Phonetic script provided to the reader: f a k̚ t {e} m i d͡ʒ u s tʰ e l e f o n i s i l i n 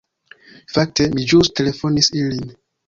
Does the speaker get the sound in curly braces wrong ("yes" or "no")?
no